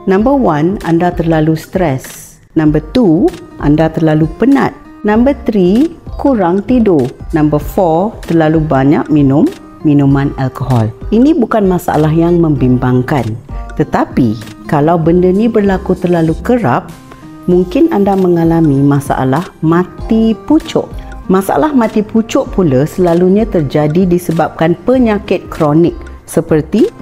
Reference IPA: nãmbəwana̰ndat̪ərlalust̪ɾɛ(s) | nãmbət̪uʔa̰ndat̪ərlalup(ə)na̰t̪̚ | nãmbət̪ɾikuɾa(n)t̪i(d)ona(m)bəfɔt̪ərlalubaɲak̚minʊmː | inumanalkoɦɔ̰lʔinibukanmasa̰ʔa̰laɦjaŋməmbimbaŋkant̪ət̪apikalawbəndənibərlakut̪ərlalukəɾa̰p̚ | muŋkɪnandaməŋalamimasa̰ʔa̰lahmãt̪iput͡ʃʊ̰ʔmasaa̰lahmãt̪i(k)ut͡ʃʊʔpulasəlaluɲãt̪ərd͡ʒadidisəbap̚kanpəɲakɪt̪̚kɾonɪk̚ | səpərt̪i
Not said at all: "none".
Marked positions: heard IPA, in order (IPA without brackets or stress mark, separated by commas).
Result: s, ə, ŋ, d, m, p